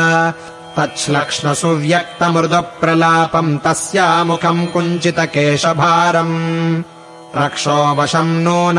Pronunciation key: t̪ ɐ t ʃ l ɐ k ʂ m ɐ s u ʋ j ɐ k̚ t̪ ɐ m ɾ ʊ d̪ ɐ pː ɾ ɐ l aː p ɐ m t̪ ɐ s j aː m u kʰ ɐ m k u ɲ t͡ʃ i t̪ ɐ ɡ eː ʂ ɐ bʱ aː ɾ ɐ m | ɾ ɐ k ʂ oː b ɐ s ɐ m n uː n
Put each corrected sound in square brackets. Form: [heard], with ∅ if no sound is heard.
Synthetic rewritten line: t̪ ɐ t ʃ l ɐ k ʂ [ɳ] ɐ s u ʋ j ɐ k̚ t̪ ɐ m ɾ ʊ d̪ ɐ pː ɾ ɐ l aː p ɐ m t̪ ɐ s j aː m u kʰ ɐ m k u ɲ t͡ʃ i t̪ ɐ [k] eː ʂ ɐ bʱ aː ɾ ɐ m | ɾ ɐ k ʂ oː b ɐ [ʂ] ɐ m n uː n